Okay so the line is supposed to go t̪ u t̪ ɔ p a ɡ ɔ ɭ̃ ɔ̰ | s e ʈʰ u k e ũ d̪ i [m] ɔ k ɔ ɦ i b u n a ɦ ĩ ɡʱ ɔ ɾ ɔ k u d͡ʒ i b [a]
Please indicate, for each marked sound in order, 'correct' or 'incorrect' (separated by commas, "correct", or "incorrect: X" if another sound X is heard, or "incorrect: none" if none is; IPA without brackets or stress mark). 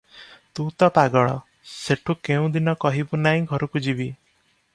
incorrect: n, incorrect: i